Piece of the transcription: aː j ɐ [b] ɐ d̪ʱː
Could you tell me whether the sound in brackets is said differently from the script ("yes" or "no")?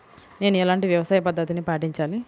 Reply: yes